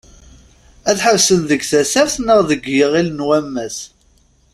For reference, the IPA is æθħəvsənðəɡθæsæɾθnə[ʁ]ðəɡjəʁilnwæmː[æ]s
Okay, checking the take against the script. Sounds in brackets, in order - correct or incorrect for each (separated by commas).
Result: correct, correct